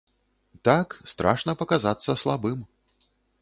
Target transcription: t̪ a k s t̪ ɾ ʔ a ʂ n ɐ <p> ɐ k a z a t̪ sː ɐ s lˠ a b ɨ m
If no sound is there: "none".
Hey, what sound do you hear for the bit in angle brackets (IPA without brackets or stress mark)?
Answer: p